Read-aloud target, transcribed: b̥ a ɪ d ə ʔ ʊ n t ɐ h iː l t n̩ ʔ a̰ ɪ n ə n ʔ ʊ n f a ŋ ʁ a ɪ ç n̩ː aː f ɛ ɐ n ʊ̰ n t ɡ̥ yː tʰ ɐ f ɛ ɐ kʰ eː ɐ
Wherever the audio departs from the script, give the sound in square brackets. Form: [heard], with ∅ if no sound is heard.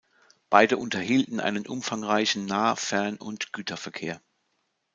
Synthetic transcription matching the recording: b̥ a ɪ d ə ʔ ʊ n t ɐ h iː l t n̩ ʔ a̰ ɪ n ə n ʔ ʊ [m] f a ŋ ʁ a ɪ ç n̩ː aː f ɛ ɐ n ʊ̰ n t ɡ̥ yː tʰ ɐ f ɛ ɐ kʰ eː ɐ